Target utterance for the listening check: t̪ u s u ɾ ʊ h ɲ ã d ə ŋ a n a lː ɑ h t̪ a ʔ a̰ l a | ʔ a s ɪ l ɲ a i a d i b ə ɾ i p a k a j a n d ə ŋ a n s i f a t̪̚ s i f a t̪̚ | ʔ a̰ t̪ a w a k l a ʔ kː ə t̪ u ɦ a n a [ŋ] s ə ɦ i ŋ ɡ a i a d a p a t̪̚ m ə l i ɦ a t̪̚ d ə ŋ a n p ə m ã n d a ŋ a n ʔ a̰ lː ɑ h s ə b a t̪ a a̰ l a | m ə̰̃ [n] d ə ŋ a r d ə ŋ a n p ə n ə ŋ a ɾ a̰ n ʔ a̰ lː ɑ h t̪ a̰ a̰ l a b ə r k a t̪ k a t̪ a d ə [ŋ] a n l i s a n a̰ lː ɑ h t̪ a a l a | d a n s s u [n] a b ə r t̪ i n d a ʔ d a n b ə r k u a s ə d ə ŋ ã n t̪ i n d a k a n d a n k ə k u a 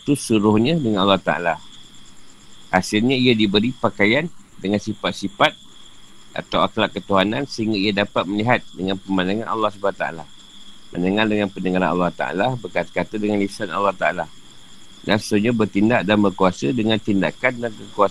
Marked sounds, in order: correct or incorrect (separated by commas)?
incorrect, correct, correct, incorrect